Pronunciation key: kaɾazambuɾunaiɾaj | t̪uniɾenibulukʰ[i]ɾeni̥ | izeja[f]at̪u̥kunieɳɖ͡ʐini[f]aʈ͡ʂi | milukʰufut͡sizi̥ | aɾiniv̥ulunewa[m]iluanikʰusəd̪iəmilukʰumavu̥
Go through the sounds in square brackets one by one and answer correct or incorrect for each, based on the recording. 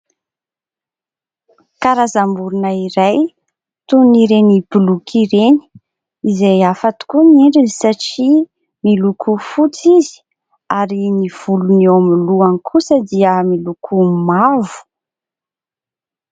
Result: correct, correct, incorrect: s, correct

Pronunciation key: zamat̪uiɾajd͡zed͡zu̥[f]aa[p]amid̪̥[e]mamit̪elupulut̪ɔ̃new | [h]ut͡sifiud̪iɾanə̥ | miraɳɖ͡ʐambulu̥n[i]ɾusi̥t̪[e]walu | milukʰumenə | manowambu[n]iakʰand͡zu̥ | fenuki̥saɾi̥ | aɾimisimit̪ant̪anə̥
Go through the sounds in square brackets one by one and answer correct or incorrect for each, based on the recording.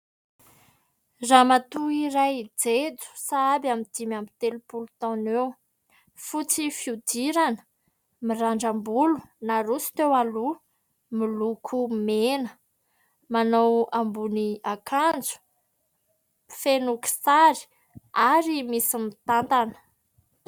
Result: incorrect: s, incorrect: b, incorrect: i, incorrect: f, incorrect: a, correct, correct

